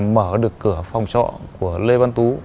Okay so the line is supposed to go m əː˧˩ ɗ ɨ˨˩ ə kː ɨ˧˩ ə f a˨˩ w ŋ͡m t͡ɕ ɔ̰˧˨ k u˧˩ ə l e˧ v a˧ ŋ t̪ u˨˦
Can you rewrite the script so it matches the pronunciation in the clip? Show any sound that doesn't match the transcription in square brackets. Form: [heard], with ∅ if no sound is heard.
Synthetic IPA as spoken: m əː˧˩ ɗ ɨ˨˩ ə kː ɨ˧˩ ə f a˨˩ w ŋ͡m t͡ɕ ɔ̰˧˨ k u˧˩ ə l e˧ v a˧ [n] t̪ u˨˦